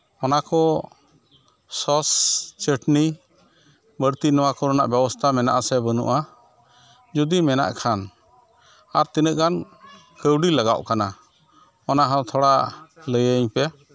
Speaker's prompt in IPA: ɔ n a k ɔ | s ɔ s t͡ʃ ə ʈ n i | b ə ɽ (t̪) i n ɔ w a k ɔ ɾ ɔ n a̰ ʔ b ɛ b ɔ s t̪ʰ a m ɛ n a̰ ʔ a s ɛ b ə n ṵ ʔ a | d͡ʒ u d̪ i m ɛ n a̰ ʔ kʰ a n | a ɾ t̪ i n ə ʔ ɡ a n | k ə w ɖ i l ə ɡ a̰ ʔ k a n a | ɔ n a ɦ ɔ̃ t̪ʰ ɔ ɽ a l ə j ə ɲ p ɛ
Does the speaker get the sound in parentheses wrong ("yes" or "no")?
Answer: no